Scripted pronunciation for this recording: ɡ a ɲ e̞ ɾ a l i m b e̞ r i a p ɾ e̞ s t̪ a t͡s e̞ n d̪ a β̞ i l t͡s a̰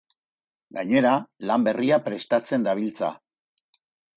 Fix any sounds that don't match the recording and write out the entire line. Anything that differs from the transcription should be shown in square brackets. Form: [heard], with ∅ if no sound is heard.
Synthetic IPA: ɡ a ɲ e̞ ɾ a l [a] m b e̞ r i a p ɾ e̞ s t̪ a t͡s e̞ n d̪ a β̞ i l t͡s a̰